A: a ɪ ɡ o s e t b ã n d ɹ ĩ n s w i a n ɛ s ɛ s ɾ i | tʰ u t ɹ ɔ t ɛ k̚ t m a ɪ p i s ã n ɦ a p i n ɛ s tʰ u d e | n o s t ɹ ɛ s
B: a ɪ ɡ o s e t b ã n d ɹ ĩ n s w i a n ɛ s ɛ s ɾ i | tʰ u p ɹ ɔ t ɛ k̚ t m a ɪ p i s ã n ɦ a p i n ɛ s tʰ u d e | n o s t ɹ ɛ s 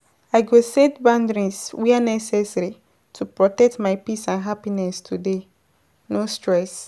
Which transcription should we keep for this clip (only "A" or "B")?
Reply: B